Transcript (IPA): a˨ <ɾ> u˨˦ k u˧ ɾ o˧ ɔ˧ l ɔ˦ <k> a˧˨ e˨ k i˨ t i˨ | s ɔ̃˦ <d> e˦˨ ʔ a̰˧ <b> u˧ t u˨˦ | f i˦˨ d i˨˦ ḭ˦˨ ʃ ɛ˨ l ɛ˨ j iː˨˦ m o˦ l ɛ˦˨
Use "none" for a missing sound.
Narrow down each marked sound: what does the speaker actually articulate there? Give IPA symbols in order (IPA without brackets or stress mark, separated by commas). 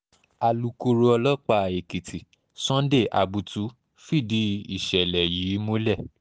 l, k͡p, d, b